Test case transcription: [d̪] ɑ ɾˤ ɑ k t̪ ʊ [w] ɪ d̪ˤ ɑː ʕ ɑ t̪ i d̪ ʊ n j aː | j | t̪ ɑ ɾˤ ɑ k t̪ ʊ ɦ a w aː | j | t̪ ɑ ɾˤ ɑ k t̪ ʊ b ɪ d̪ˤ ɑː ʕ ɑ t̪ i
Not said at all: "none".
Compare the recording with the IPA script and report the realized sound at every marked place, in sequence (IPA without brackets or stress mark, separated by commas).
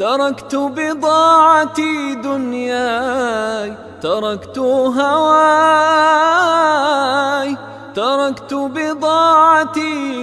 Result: t̪, b